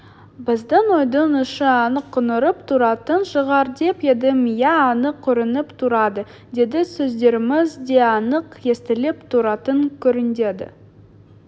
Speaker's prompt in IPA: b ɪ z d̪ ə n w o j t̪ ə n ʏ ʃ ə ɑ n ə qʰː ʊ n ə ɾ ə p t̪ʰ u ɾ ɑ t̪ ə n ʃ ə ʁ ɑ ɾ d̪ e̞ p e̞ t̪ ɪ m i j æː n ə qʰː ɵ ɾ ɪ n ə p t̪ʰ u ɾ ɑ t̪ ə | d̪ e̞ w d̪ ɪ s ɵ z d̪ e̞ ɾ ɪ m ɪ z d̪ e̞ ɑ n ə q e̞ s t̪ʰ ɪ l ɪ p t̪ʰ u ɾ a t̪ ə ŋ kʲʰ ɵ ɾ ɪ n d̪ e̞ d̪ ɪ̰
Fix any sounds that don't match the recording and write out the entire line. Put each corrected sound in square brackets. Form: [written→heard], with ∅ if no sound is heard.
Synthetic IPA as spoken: b ɪ z d̪ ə n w o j [t̪→d̪] ə n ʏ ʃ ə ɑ n ə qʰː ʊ n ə ɾ ə p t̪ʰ u ɾ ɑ t̪ ə n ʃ ə ʁ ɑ ɾ d̪ e̞ p e̞ [t̪→d̪] ɪ m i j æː n ə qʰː ɵ ɾ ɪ n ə p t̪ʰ u ɾ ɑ [t̪→d̪] ə | d̪ e̞ [w→∅] d̪ ɪ s ɵ z d̪ e̞ ɾ ɪ m ɪ z d̪ e̞ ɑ n ə q e̞ s [t̪ʰ→t̪] ɪ l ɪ p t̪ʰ u ɾ [a→ɑ] t̪ ə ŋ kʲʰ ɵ ɾ ɪ n d̪ e̞ d̪ ɪ̰